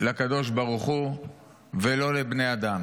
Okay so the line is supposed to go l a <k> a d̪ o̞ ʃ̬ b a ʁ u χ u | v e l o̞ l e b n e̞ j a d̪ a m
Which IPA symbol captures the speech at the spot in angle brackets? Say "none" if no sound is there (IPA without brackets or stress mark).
k